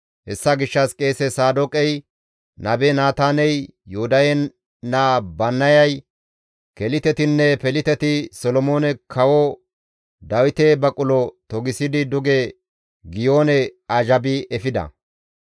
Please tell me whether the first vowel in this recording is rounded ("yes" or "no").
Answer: no